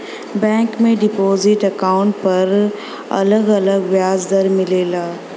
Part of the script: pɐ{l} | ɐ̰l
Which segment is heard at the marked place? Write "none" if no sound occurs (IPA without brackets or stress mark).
ɾ